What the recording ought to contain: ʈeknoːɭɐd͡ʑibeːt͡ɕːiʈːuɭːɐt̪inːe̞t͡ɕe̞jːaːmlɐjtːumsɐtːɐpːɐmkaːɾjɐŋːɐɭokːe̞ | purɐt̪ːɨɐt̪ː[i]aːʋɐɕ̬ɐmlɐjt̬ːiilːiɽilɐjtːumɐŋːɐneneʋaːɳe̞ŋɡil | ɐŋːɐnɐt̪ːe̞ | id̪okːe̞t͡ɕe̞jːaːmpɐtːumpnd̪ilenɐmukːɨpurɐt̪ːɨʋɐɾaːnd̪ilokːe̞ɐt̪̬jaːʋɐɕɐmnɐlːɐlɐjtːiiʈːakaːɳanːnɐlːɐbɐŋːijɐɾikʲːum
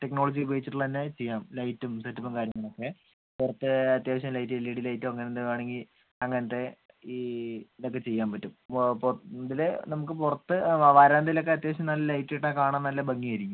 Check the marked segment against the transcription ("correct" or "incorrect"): incorrect